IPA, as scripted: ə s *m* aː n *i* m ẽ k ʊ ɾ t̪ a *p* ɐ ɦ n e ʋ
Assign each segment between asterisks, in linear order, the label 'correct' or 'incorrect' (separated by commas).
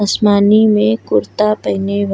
correct, correct, correct